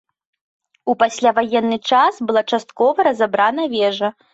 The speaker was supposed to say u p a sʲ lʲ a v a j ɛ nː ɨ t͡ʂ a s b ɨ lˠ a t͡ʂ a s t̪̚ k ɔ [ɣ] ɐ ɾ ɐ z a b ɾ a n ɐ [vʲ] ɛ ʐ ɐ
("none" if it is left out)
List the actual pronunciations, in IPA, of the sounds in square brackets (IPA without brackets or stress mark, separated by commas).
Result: v, vʲ